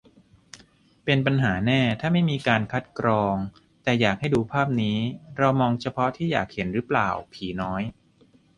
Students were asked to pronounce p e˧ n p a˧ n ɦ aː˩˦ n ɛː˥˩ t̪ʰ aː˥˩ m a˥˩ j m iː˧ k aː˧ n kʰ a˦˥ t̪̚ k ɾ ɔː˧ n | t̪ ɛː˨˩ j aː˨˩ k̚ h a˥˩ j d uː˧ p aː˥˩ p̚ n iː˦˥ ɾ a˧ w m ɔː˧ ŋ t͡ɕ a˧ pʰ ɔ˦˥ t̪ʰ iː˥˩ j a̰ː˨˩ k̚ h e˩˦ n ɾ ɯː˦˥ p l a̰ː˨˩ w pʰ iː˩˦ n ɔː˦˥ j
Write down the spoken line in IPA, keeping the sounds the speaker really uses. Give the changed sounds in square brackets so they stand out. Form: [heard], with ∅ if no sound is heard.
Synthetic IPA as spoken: p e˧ n p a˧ n ɦ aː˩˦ n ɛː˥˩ t̪ʰ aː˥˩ m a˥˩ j m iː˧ k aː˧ n kʰ a˦˥ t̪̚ k ɾ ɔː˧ [ŋ] | t̪ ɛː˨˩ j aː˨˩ k̚ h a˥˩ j d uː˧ [pʰ] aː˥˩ p̚ n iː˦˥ ɾ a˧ w m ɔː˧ ŋ [t͡ɕʰ] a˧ pʰ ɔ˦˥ t̪ʰ iː˥˩ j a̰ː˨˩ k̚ h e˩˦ n ɾ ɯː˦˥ p l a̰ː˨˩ w pʰ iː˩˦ n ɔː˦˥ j

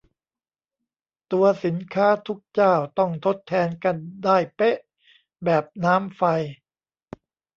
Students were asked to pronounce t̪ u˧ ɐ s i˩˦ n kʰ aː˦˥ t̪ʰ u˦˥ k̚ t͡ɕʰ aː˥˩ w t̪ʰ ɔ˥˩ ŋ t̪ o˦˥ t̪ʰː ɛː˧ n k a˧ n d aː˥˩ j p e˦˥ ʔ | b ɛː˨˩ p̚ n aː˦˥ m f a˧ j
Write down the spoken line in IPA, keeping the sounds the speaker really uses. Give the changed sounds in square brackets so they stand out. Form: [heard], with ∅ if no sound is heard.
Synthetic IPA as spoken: t̪ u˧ ɐ s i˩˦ n kʰ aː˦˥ t̪ʰ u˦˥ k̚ [t͡ɕ] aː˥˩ w [t̪] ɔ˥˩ ŋ [t̪ʰ] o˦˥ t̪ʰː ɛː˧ n k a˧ n d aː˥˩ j p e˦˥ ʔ | b ɛː˨˩ p̚ n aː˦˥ m f a˧ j

